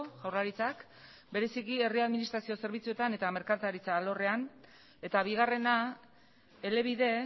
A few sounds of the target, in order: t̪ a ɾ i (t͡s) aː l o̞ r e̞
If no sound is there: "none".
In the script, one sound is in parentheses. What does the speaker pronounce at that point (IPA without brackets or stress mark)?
t͡s